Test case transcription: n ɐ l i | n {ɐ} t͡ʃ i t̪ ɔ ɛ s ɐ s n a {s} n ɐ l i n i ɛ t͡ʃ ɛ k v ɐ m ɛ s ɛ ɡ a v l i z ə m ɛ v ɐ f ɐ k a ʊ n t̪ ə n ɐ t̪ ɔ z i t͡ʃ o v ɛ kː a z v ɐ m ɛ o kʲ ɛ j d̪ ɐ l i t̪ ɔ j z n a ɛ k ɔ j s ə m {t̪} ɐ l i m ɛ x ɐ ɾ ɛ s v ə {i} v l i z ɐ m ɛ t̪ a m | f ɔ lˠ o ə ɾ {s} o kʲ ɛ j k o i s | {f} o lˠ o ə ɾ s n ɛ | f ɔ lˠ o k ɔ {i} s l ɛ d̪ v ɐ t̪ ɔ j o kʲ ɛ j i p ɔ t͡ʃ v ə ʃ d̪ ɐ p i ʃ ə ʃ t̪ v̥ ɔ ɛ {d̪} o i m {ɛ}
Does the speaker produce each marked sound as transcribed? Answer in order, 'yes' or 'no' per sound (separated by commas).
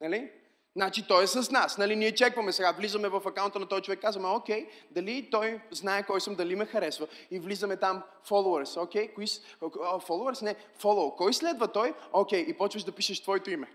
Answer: no, yes, no, yes, yes, yes, no, no, yes